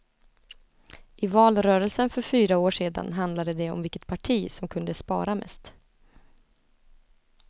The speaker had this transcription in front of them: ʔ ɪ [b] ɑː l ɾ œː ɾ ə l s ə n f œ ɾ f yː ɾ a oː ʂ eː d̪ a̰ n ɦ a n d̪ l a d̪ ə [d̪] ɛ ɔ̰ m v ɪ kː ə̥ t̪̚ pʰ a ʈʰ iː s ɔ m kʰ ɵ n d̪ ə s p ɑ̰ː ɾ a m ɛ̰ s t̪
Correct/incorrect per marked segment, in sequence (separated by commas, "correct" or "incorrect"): incorrect, correct